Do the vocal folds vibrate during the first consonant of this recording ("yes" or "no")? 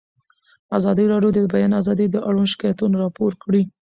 yes